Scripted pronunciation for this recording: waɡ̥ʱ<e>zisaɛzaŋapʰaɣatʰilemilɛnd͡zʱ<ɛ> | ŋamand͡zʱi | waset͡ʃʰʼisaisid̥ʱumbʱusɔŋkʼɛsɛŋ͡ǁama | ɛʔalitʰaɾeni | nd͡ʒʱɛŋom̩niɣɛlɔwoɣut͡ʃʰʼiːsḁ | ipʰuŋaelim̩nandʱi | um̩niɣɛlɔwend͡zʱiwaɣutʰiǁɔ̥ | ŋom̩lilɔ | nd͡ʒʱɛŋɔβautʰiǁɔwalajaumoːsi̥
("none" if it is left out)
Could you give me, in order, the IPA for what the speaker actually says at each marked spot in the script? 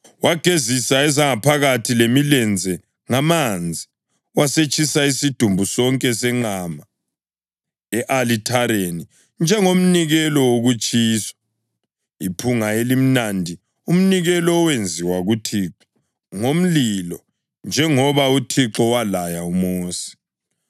e, ɛ

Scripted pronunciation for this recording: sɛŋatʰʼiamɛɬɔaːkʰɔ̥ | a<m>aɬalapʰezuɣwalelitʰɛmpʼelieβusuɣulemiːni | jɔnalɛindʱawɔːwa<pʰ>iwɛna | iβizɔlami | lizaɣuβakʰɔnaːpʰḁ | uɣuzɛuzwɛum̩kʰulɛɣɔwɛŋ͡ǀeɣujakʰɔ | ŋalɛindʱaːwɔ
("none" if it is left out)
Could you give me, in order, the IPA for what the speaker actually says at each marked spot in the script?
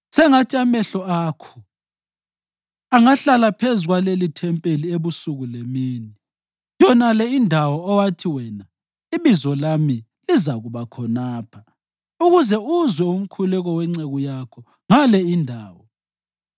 ŋ, tʰ

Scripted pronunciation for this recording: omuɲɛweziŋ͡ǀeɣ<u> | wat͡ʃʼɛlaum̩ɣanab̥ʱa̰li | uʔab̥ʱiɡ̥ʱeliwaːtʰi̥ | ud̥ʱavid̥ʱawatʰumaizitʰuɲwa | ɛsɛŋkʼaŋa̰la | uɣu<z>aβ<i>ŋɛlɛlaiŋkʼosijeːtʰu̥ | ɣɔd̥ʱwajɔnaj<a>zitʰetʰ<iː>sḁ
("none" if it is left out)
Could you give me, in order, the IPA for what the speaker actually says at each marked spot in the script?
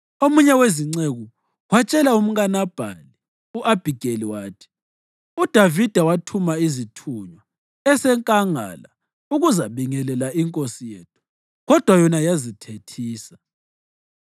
u, z, i, a, iː

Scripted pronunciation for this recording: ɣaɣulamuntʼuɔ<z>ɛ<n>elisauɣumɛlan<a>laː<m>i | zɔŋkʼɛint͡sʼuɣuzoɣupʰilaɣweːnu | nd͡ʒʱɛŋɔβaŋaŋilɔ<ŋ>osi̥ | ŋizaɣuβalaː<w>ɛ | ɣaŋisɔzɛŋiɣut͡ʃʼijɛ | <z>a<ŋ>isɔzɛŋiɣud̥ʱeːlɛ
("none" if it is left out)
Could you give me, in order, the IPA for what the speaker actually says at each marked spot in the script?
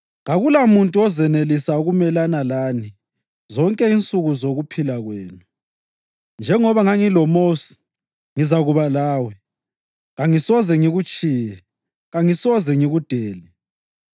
z, n, a, n, m, w, ɣ, ŋ

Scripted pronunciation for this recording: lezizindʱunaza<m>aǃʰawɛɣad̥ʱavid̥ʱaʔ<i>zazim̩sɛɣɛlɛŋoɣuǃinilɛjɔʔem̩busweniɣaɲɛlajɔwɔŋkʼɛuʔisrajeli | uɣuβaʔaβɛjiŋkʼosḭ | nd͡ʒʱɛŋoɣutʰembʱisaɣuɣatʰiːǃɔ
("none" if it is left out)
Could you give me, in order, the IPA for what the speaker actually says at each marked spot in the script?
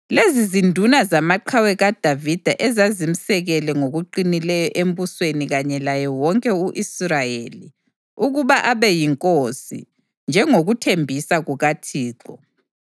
m, ɛ

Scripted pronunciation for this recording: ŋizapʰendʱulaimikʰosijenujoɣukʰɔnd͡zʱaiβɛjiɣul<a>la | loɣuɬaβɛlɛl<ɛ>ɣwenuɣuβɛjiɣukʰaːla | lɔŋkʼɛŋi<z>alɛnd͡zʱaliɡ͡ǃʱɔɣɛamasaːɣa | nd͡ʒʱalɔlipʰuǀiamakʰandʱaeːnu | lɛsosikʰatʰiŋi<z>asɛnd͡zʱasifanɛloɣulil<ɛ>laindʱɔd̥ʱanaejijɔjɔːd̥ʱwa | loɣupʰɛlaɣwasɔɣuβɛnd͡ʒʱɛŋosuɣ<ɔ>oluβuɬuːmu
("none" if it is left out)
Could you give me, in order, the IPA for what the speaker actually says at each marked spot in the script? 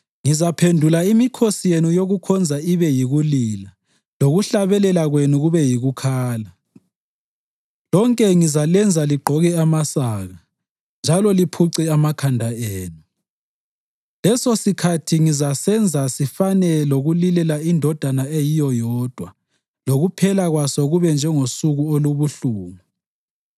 i, a, z, z, ɛ, u

